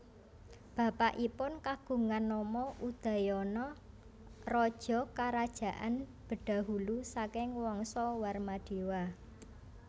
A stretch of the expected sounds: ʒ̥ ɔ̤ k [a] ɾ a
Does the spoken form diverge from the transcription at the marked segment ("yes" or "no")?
no